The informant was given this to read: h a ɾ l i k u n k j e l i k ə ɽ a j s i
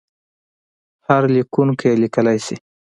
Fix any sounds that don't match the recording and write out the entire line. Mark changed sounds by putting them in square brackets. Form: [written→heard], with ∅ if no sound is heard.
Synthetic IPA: h a ɾ l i k u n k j e l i k ə [ɽ→l] a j s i